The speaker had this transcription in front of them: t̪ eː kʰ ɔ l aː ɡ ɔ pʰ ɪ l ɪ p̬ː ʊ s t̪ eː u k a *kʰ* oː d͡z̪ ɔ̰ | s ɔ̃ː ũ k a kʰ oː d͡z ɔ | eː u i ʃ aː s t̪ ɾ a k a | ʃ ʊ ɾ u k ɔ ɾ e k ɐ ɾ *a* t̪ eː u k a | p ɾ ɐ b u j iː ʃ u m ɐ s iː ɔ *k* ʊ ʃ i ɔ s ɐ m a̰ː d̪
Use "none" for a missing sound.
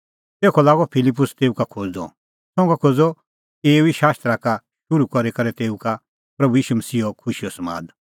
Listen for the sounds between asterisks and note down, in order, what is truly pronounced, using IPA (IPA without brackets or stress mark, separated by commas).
kʰ, ɛ, kʰ